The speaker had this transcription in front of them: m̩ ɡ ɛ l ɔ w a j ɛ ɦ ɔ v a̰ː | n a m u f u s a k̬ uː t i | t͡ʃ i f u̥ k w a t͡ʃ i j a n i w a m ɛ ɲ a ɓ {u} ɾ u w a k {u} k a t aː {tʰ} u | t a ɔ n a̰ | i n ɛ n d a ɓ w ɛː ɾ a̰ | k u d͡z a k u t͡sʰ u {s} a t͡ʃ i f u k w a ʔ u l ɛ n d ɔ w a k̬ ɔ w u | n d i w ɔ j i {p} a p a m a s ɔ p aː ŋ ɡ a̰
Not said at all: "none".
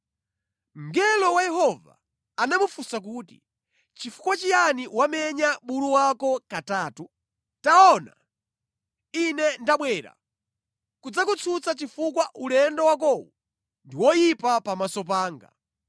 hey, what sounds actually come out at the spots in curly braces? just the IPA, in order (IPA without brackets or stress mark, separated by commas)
u, ɔ, t, t͡s, p